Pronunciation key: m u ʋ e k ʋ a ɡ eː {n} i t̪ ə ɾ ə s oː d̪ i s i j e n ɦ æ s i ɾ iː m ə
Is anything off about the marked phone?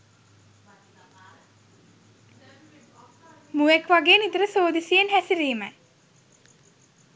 no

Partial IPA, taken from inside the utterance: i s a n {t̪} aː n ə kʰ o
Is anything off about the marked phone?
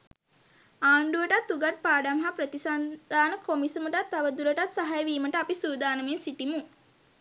yes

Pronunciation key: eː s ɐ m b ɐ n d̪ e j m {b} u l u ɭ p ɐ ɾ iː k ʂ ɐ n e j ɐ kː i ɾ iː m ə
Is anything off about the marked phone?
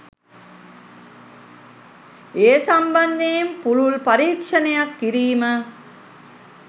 yes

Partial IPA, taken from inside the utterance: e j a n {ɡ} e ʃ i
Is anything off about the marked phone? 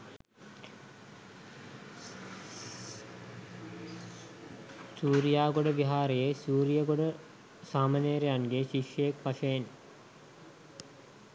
no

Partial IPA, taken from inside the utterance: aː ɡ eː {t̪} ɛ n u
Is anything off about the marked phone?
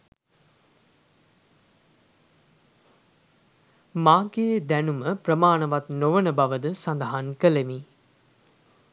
yes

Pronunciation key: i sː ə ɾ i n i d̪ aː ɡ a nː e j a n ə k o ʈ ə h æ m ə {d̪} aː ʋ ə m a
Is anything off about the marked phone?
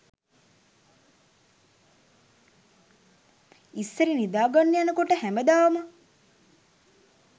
no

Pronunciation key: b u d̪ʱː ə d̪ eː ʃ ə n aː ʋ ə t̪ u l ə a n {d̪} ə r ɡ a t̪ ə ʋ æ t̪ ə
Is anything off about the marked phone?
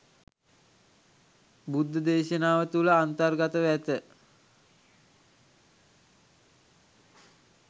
yes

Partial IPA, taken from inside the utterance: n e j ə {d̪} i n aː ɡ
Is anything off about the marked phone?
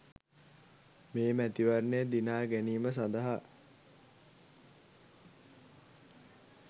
no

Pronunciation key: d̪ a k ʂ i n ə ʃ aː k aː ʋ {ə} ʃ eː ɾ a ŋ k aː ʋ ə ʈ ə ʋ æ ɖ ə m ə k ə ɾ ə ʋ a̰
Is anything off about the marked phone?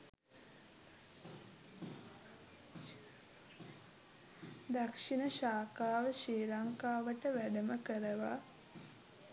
no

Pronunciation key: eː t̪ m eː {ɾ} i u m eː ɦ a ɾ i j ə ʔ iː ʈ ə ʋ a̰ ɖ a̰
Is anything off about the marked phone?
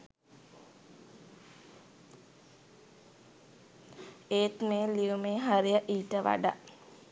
yes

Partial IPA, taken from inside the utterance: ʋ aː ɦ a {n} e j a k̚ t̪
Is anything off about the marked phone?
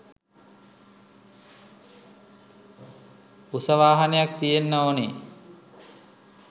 no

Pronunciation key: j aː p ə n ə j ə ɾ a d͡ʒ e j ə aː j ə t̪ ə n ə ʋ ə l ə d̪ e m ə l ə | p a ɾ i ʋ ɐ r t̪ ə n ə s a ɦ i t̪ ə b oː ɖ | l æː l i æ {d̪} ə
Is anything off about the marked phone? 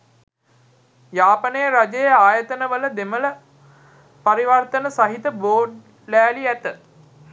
yes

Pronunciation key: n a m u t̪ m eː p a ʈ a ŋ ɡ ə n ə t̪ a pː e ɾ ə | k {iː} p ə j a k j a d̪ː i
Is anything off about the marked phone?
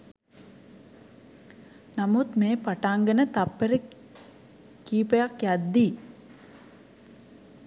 no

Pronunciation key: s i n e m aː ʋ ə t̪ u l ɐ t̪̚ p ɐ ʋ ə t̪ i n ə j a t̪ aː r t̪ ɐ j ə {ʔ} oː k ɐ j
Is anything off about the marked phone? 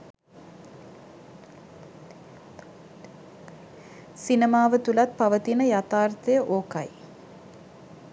no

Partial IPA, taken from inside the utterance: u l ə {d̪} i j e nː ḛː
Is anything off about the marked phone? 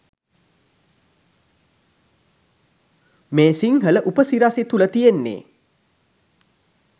yes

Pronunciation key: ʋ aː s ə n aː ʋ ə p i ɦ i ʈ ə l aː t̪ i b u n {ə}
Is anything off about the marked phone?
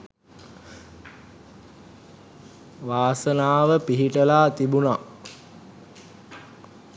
yes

